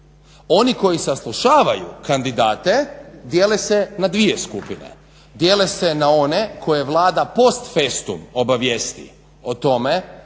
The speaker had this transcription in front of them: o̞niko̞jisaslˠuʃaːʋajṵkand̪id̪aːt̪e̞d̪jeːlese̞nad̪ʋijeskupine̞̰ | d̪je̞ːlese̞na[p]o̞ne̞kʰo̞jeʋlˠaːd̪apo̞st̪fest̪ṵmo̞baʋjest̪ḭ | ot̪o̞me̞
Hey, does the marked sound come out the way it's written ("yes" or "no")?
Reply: no